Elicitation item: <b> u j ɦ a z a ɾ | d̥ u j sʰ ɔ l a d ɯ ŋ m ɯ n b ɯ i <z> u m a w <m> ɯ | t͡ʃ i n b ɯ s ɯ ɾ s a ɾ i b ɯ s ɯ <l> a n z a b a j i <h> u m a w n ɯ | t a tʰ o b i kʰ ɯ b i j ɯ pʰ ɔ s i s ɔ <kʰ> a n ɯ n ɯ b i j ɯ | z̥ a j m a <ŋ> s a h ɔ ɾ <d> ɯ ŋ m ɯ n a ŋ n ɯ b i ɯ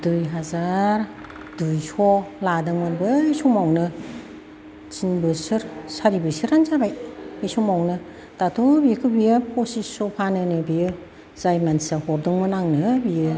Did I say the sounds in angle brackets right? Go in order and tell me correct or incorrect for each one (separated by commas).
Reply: incorrect, incorrect, incorrect, incorrect, incorrect, incorrect, incorrect, correct